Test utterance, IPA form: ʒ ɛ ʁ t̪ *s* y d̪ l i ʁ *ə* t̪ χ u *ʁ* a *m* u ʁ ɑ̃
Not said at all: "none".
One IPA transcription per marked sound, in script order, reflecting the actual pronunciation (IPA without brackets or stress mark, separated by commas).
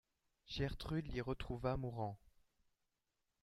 χ, ə, v, m